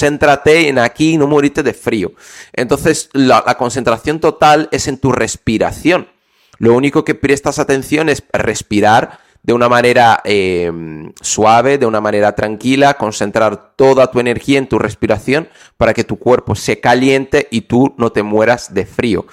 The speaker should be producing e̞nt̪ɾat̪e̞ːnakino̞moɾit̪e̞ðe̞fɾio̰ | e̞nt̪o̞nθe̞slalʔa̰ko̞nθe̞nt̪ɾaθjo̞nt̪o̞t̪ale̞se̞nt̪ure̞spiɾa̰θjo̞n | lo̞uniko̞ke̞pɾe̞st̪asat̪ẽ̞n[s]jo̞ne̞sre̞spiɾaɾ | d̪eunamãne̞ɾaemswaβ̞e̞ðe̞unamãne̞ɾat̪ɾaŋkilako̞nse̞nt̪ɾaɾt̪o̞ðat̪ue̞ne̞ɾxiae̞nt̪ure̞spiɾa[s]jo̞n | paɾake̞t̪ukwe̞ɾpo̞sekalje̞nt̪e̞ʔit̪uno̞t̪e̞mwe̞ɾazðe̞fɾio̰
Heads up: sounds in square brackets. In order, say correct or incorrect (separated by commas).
incorrect, incorrect